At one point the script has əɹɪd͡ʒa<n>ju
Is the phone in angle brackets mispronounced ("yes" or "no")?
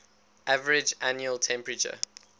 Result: no